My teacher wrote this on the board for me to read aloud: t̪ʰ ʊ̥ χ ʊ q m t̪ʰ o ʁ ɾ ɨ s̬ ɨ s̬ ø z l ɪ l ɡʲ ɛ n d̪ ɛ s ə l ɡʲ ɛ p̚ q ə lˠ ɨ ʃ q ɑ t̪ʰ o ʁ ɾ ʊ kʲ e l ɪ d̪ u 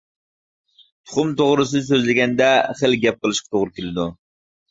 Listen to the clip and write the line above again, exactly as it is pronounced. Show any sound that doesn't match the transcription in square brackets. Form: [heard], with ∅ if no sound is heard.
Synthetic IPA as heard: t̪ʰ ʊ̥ χ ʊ [∅] m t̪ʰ o ʁ ɾ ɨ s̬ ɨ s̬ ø z l ɪ [∅] ɡʲ ɛ n d̪ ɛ [χ] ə l ɡʲ ɛ p̚ q ə lˠ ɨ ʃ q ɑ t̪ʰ o ʁ ɾ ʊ kʲ e l ɪ d̪ u